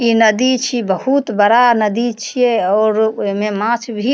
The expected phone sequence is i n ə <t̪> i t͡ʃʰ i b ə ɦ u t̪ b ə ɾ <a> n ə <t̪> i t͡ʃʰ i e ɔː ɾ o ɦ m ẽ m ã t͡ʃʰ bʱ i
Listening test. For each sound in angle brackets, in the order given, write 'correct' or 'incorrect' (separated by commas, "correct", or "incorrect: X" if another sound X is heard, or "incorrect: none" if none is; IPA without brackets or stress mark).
incorrect: d̪, correct, incorrect: d̪